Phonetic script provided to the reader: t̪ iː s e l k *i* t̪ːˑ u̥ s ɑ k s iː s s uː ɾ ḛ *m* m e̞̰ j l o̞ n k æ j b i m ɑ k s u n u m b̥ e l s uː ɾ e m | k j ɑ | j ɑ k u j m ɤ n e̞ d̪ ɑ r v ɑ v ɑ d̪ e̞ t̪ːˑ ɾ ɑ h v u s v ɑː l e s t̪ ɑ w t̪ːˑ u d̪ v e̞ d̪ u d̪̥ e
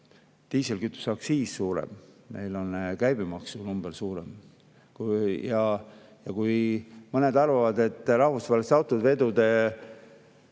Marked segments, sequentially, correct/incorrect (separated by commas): incorrect, correct